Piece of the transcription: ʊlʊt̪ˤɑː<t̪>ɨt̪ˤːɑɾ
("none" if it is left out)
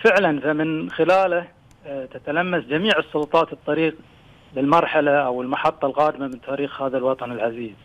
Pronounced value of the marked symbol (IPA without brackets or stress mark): t̪